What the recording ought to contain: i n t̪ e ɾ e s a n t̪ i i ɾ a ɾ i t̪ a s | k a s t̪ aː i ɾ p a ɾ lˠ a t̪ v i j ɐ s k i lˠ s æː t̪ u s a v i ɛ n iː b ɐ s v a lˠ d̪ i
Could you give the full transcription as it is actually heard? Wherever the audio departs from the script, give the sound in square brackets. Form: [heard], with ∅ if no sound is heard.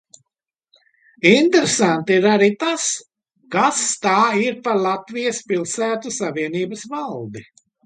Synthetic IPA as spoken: i n t̪ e ɾ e s a n t̪ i i ɾ a ɾ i t̪ a s | k a s t̪ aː i ɾ p a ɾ lˠ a t̪ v i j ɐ s [p] i lˠ s æː t̪ u s a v i ɛ n iː b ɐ s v a lˠ d̪ i